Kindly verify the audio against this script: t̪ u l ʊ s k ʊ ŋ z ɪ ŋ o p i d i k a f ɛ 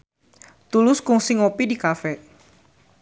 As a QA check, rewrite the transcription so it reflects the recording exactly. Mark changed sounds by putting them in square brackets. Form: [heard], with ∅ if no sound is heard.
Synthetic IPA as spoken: t̪ u l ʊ s k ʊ ŋ [s] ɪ ŋ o p i d i k a f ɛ